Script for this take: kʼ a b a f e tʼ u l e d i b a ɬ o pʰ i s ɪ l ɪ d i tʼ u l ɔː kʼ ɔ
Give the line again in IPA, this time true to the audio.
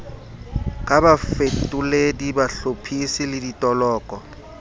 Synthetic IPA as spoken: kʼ a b a f e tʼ u l e d i b a ɬ o pʰ i s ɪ l ɪ d i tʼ ɔ l ɔː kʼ ɔ